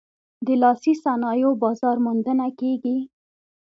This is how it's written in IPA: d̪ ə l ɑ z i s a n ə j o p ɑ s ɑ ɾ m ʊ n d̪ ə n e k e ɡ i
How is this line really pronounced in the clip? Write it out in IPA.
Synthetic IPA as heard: d̪ ə l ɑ s i s a n ɑ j o b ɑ z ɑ ɾ m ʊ n d̪ ə n a k e ɡ i